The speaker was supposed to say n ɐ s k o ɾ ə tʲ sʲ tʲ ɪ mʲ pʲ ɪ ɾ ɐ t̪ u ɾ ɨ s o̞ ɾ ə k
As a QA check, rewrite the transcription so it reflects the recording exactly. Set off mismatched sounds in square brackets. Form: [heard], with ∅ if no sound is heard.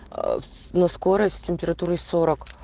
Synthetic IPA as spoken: n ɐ s k o ɾ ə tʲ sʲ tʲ ɪ mʲ pʲ ɪ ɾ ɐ t̪ u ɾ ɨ s o̞ ɾ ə k